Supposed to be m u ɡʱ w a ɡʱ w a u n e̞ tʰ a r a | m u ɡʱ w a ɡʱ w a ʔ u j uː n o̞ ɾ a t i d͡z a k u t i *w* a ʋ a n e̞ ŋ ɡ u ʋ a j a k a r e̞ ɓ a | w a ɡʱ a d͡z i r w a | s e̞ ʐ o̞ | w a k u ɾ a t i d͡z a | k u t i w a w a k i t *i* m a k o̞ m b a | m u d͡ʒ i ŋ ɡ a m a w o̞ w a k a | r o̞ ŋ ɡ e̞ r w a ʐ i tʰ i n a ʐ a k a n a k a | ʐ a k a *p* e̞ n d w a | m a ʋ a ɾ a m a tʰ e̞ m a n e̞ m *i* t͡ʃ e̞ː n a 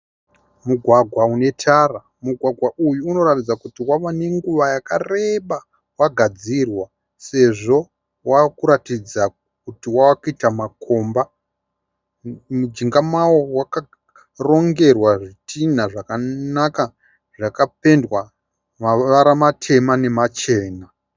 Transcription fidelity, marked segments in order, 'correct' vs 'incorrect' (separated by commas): correct, incorrect, correct, incorrect